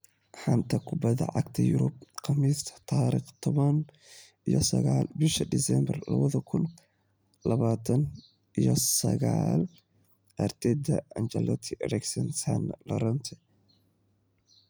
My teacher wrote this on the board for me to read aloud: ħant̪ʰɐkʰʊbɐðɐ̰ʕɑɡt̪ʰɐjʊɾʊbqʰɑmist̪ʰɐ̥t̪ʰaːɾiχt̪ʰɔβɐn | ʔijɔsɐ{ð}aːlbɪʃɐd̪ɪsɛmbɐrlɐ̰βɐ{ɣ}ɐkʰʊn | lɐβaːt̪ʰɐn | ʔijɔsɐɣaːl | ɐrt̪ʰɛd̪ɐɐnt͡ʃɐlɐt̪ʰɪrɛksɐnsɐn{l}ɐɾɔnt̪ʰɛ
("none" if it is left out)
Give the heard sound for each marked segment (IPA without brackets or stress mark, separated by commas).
ɣ, ð, l